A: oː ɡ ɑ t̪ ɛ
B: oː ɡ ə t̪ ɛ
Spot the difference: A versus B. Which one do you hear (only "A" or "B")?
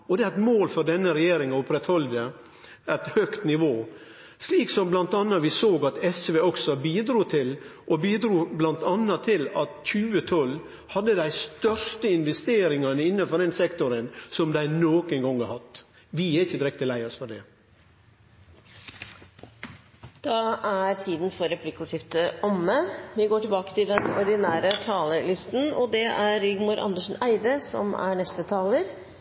A